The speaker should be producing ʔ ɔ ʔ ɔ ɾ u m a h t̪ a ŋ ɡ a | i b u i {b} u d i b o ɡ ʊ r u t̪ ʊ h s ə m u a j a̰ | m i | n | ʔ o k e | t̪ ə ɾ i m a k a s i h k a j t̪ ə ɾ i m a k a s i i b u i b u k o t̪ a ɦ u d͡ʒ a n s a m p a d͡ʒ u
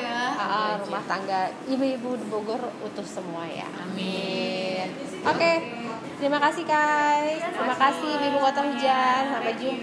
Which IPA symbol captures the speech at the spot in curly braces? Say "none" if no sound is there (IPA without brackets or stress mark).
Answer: b